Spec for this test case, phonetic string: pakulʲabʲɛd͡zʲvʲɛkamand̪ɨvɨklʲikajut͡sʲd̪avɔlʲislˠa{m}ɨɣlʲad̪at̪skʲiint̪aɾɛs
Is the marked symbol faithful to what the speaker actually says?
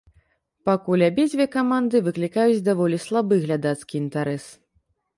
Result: no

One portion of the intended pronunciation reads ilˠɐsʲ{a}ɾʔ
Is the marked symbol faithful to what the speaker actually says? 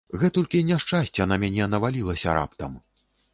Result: no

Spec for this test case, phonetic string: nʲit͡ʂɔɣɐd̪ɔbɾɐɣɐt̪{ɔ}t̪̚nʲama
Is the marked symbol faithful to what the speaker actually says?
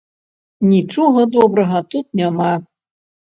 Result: no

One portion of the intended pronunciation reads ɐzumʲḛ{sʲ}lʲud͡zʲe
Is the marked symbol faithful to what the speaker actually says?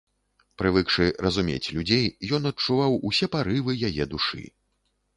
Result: no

